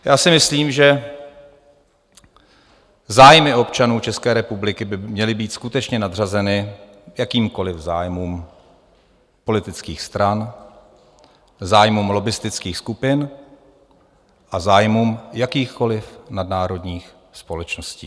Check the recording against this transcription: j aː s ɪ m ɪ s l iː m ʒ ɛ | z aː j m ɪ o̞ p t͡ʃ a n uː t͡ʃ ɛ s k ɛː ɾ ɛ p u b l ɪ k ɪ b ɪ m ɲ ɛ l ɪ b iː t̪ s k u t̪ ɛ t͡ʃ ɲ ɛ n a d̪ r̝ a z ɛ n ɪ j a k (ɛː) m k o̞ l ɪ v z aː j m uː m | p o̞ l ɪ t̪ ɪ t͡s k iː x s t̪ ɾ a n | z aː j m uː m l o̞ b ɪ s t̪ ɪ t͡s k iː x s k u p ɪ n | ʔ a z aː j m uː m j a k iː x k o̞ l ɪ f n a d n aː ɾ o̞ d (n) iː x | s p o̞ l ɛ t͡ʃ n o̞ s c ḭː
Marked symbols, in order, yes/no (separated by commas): no, no